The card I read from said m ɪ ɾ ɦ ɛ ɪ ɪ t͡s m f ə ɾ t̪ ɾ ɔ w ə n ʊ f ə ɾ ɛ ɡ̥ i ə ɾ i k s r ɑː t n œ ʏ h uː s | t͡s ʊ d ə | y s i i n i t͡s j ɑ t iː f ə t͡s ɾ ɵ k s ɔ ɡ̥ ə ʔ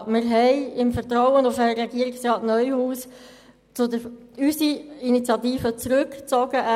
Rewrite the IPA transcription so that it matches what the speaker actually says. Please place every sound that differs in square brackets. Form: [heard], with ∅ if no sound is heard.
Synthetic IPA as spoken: m ɪ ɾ ɦ ɛ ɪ ɪ [∅] m f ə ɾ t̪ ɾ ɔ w ə n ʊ f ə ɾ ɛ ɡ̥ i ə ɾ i k s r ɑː t n œ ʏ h uː s | t͡s ʊ d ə | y s i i n i t͡s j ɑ t iː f ə t͡s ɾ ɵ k [t͡s] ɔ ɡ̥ ə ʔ